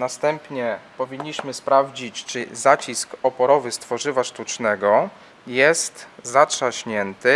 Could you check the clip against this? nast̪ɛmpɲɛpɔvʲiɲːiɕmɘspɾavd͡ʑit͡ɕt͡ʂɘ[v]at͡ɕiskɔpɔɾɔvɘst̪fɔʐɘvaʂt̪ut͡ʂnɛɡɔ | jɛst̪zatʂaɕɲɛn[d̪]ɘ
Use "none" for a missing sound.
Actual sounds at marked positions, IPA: z, t̪

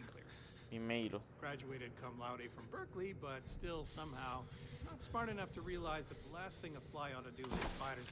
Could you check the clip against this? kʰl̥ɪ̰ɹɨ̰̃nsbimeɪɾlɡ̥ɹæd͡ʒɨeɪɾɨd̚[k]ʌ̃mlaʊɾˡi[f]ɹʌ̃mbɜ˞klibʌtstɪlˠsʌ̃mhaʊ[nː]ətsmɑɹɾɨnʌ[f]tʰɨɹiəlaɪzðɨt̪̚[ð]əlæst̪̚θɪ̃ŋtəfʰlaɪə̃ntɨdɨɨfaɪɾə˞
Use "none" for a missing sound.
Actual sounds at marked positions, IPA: kʰ, f, n, f, ð

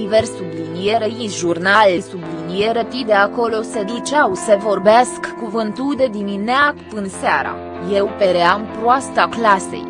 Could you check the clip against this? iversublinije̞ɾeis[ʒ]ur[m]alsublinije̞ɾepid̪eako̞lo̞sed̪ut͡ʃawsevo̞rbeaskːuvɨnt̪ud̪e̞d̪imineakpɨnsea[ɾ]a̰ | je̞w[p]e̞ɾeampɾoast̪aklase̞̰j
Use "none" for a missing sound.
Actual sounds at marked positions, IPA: ʒ, n, ɾ, p

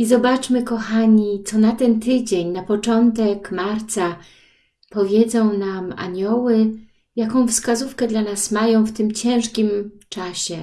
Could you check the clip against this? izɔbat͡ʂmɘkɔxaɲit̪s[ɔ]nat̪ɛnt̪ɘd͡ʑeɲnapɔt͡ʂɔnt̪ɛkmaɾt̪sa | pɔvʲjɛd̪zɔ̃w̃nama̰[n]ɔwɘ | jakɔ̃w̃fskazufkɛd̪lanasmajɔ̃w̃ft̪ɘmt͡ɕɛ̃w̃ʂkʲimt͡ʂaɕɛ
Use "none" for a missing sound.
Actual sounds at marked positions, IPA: ɔ, ɲ

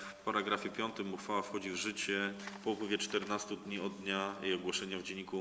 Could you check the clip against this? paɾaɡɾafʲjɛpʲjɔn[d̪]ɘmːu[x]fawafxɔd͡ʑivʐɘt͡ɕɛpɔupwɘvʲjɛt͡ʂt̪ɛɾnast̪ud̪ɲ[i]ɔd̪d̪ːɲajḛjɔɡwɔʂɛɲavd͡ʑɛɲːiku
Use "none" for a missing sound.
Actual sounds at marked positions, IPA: t̪, x, i

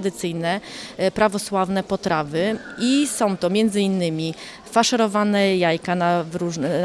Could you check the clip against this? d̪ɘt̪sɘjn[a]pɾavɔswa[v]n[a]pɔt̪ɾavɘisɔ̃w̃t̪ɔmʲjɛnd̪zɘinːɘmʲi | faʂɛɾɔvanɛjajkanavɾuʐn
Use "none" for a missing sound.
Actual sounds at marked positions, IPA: ɛ, v, ɛ

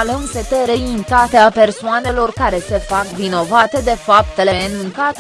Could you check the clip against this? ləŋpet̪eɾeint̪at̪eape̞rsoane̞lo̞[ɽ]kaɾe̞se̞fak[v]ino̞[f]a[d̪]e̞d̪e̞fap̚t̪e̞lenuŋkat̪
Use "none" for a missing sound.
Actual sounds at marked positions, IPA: r, v, v, t̪

